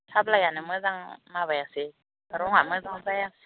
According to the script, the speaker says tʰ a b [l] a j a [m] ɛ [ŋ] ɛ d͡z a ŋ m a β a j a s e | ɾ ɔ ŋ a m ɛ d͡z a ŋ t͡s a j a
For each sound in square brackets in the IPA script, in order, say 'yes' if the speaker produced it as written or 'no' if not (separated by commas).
yes, no, no